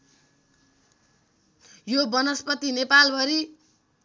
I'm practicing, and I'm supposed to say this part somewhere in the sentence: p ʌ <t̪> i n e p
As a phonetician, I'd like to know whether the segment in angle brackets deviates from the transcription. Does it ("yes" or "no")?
no